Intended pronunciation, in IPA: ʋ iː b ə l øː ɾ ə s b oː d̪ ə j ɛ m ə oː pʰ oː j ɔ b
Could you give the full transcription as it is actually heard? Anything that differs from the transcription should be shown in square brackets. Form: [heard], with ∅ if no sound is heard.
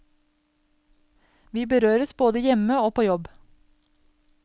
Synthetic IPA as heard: ʋ iː b ə [ɾ] øː ɾ ə s b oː d̪ ə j ɛ m ə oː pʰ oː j ɔ b